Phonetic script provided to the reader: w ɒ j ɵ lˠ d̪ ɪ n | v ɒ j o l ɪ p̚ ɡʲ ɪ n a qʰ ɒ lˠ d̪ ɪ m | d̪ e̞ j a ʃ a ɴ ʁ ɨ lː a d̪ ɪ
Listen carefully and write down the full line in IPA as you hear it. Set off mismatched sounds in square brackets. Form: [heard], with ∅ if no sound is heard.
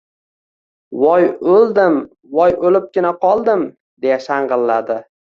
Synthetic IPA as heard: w ɒ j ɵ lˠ d̪ ɪ [m] | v ɒ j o l ɪ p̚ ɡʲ ɪ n a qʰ ɒ lˠ d̪ ɪ m | d̪ e̞ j a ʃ a ɴ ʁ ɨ lː a d̪ ɪ